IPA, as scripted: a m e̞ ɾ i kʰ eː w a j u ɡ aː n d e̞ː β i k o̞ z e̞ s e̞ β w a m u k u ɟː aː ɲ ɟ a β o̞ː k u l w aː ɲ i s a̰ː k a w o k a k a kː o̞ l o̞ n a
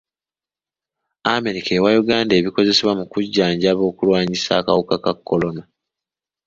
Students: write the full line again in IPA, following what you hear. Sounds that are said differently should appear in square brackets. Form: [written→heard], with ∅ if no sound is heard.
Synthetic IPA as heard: a m e̞ ɾ i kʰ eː w a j u ɡ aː n d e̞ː β i k o̞ z e̞ s e̞ β w a m u k u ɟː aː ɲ ɟ a β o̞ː k u l w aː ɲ i s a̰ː k a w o k a k a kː o̞ l o̞ n a